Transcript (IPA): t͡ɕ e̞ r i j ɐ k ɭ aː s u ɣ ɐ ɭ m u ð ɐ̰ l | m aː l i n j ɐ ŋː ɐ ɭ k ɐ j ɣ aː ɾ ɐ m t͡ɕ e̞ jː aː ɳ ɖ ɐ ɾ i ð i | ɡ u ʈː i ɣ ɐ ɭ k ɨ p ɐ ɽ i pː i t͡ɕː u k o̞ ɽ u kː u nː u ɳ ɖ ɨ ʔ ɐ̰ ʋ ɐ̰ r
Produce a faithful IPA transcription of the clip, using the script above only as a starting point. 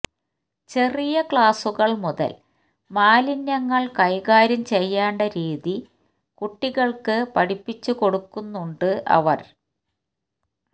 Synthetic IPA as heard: t͡ɕ e̞ r i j ɐ k ɭ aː s u ɣ ɐ ɭ m u ð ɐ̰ l | m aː l i n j ɐ ŋː ɐ ɭ k ɐ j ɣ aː ɾ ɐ m t͡ɕ e̞ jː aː ɳ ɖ ɐ ɾ iː ð i | k u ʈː i ɣ ɐ ɭ k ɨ p ɐ ɽ i pː i t͡ɕː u k o̞ ɽ u kː u nː u ɳ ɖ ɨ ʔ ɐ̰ ʋ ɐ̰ r